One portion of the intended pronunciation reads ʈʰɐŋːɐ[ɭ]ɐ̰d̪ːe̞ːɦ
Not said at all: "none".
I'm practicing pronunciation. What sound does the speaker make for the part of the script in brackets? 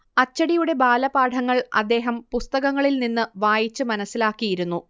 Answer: ɭ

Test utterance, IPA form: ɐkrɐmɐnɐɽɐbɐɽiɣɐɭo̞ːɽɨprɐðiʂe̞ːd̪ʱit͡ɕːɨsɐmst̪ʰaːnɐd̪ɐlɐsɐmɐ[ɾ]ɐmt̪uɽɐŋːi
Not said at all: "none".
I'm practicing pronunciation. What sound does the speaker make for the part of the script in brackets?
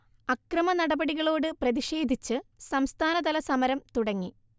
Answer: ɾ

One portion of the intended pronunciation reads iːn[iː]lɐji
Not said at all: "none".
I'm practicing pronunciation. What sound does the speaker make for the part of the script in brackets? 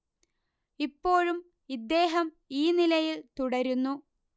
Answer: i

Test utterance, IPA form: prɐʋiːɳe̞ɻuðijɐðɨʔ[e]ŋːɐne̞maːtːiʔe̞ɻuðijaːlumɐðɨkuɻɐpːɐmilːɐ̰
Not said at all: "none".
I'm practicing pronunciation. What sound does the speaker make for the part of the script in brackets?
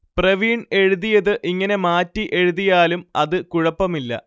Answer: i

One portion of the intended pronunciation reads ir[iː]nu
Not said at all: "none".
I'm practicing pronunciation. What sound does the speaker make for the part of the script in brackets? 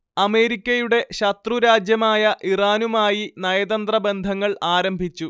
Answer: aː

